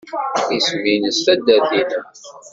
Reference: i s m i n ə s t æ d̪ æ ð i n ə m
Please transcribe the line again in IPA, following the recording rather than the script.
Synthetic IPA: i s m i n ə s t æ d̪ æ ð i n ə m